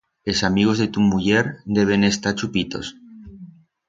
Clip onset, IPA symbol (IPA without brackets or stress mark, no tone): e